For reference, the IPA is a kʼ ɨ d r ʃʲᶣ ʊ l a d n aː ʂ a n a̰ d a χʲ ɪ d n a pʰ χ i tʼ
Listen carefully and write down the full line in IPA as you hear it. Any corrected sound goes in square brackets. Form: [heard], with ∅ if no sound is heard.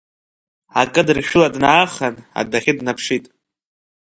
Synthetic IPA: a kʼ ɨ d r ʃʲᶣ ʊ l a d n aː [χ] a n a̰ d a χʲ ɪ d n a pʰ [ʂ] i tʼ